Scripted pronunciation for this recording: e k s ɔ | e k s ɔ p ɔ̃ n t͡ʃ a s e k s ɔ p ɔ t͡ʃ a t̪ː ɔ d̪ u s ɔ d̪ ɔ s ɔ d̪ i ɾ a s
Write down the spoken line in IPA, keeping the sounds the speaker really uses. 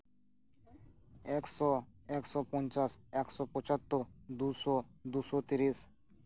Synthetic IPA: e k s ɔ | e k s ɔ p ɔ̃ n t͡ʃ a s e k s ɔ p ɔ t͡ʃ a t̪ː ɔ d̪ u s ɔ d̪ u s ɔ t̪ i ɾ i s